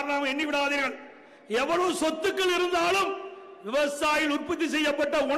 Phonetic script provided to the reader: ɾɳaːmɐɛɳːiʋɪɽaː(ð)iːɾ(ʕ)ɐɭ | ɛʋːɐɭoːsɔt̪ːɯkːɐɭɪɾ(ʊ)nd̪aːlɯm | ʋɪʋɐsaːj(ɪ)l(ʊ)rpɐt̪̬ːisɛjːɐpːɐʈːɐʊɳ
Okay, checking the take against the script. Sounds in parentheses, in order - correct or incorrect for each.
correct, incorrect, incorrect, correct, correct

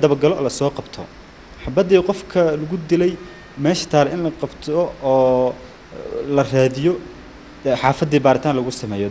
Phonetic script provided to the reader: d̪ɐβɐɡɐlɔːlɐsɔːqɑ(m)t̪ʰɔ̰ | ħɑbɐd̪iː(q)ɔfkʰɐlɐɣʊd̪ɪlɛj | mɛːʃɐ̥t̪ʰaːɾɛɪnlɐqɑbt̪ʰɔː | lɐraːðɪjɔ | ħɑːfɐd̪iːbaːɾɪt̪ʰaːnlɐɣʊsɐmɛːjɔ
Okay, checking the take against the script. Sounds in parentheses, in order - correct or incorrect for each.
incorrect, correct

